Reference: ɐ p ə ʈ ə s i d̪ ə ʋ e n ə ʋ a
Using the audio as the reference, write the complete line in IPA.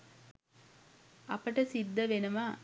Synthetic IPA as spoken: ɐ p ə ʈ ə s i d̪ː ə ʋ e n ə ʋ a